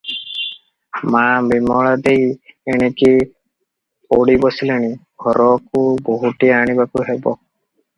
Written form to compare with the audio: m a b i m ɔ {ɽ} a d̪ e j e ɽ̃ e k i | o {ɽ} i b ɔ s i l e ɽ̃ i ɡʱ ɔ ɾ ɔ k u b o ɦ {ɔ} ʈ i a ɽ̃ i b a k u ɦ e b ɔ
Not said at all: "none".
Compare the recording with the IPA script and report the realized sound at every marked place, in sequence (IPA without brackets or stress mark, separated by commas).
ɭ, ɽ, u